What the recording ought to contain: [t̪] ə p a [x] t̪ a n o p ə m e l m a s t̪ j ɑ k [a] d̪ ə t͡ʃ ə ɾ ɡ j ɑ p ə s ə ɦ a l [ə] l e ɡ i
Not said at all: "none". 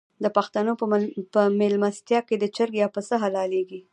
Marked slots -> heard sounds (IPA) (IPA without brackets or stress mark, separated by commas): d̪, x, e, ɑ